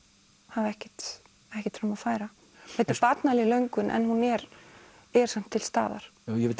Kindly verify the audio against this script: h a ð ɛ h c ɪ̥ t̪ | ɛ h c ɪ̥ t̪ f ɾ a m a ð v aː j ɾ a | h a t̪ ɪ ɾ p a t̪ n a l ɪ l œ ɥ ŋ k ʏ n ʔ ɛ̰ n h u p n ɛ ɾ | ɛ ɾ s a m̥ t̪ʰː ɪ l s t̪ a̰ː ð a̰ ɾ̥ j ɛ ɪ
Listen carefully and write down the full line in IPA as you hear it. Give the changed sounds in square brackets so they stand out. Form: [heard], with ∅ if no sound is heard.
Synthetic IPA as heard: h a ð ɛ h c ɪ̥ t̪ | ɛ h c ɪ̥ t̪ f ɾ a m a ð [f] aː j ɾ a | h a t̪ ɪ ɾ p a t̪ n a l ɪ l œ ɥ ŋ k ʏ n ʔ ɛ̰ n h u [∅] n ɛ ɾ | ɛ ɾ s a m̥ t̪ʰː ɪ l s t̪ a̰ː ð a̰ ɾ̥ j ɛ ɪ